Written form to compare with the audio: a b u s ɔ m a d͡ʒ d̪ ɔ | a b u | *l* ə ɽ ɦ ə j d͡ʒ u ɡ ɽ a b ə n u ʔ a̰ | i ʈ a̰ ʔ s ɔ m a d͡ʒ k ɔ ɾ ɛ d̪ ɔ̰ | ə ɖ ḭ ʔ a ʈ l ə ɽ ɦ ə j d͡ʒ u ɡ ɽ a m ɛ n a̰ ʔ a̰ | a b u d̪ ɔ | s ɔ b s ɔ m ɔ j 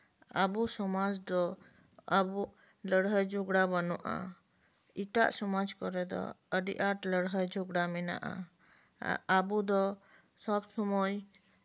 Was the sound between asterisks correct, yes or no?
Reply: yes